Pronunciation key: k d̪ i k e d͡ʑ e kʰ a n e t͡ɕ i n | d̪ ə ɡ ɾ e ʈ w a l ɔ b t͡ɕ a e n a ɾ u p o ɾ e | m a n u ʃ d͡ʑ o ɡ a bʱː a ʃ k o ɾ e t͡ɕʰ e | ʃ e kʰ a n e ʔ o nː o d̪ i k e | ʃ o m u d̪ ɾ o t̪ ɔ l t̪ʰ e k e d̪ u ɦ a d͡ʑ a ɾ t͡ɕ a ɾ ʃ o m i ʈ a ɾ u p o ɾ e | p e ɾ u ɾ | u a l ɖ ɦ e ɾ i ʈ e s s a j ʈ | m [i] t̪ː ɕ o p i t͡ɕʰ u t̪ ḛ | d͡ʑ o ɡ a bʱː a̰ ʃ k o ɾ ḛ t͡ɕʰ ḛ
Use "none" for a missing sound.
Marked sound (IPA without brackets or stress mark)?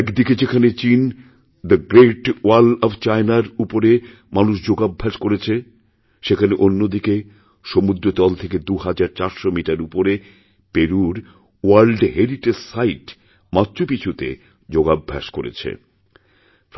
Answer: a